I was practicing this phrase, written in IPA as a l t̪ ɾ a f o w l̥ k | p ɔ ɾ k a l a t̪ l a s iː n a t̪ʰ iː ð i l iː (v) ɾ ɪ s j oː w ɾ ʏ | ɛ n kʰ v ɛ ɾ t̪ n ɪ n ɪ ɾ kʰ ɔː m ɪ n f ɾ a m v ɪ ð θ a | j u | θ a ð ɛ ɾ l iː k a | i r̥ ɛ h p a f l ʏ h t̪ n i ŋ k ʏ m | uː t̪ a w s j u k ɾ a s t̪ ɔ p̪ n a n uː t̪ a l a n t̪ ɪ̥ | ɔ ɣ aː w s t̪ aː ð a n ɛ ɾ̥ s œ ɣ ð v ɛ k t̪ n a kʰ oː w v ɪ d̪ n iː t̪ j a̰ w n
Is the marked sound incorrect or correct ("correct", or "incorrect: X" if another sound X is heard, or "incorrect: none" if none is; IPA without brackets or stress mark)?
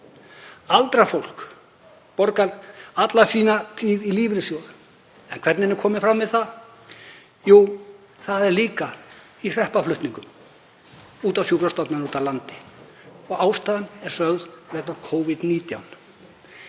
correct